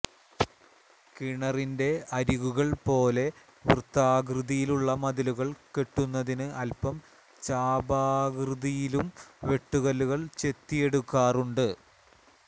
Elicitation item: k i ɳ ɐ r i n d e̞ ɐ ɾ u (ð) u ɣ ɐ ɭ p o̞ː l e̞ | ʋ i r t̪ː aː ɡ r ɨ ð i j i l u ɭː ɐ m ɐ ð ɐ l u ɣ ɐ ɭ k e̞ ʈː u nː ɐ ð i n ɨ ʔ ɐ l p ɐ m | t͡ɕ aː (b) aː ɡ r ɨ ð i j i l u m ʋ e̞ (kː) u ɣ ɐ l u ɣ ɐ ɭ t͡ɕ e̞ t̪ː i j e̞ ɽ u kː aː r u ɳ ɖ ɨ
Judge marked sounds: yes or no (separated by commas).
no, yes, no